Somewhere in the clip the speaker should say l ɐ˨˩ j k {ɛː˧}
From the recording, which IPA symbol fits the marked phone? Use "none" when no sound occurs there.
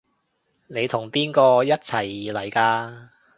aː˧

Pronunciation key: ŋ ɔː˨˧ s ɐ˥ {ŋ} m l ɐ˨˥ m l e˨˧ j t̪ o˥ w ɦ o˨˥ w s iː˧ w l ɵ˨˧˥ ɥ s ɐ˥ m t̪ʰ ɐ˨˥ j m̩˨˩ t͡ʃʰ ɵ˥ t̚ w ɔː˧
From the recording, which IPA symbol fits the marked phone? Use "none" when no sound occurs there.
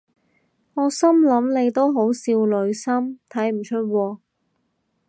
none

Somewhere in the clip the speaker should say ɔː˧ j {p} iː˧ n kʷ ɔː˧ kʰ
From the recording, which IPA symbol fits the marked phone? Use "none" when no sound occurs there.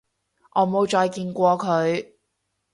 k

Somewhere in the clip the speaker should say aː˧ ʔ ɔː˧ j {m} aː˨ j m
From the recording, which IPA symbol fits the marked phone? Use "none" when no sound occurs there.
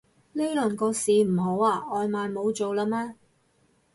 m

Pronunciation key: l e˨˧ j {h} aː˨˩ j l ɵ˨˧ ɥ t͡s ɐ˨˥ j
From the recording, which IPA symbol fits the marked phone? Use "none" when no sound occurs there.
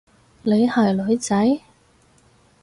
h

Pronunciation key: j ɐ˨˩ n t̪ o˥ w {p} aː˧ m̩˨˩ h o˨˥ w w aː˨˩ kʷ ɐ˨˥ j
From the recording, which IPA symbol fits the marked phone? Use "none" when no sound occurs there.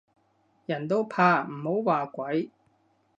pʰ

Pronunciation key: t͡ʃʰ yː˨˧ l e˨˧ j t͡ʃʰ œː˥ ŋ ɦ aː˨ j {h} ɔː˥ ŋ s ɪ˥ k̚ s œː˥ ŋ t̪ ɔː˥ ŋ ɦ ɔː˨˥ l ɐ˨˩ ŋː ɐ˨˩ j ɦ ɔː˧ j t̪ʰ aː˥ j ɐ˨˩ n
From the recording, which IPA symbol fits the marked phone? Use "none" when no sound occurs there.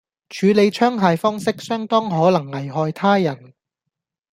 f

